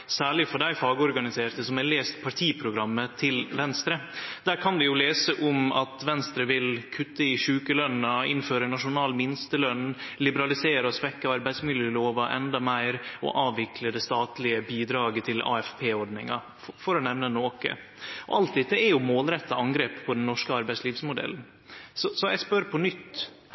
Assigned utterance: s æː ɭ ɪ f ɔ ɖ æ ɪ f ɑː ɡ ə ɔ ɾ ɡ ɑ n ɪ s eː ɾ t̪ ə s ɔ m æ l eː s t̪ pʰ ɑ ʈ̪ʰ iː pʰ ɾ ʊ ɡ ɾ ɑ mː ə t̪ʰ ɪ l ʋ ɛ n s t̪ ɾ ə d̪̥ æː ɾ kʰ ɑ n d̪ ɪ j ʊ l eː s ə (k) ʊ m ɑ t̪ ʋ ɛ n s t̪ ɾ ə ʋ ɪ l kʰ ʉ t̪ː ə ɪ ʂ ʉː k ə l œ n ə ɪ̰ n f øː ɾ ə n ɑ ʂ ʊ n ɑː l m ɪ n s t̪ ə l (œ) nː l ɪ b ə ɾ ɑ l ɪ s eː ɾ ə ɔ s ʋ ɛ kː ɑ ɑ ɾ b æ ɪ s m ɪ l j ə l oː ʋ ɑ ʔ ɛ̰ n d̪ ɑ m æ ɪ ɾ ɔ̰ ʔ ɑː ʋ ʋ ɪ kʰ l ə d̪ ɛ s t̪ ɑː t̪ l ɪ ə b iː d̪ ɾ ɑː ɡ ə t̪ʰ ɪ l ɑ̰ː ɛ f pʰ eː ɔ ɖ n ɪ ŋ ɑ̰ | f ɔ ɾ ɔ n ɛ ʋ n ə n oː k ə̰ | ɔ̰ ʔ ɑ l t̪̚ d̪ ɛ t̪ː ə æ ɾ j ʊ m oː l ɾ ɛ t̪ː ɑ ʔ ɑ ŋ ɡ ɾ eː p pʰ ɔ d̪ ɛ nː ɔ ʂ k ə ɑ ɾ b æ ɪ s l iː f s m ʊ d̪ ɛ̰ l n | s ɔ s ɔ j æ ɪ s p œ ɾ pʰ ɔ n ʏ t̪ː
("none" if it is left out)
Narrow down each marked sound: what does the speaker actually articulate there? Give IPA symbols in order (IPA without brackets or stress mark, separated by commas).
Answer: ʔ, œ